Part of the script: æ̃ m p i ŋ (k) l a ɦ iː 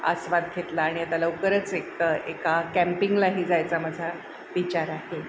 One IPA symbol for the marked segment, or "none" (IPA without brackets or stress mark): ɡ